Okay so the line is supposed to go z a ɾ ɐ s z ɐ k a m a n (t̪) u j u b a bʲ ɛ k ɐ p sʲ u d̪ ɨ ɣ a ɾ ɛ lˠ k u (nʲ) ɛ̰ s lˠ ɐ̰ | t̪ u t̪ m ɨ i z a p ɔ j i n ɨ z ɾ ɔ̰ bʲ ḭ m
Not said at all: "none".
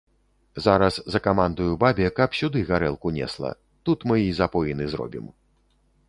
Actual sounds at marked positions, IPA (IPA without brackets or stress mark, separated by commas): d̪, nʲ